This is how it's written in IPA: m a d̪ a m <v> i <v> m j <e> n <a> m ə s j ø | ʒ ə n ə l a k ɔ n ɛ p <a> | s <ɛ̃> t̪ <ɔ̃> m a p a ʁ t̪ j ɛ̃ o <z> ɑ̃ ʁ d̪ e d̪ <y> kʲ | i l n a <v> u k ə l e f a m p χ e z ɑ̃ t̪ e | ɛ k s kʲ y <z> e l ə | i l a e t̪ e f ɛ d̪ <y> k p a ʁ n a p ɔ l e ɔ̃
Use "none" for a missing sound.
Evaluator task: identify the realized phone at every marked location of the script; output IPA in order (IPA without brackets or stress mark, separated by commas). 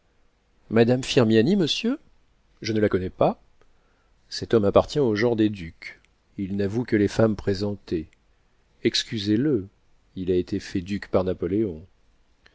f, ʁ, a, i, a, ɛ, ɔ, ʒ, y, v, z, y